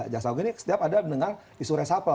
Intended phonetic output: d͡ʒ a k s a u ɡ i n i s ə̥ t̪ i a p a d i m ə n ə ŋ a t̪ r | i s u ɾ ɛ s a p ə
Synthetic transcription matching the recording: d͡ʒ a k s a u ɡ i n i s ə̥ t̪ i a p a d a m ə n ə ŋ a r | i s u ɾ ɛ s a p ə